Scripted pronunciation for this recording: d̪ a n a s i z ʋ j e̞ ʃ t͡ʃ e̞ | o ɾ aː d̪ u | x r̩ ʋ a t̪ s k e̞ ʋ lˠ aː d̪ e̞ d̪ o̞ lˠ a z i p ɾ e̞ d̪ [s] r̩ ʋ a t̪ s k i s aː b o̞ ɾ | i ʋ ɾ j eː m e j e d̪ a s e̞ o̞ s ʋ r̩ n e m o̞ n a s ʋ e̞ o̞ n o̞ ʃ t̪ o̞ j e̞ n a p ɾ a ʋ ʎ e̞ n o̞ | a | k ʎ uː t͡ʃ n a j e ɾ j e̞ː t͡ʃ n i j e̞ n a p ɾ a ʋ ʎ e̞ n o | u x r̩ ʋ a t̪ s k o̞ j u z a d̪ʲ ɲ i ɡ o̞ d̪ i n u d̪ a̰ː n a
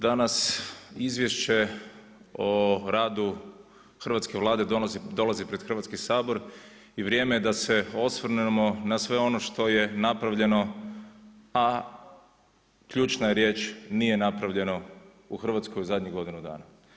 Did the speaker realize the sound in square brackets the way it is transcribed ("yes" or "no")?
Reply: no